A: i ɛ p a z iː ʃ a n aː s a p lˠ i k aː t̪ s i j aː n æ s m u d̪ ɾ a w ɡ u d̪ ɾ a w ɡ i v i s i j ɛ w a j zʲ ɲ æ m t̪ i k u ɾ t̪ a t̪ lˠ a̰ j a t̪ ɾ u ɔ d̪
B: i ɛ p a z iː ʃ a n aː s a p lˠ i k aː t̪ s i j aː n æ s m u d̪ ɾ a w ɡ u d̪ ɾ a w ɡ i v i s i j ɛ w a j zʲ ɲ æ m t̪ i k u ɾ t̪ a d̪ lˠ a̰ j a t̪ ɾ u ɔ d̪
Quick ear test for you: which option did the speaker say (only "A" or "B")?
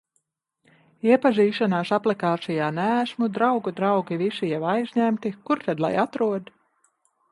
B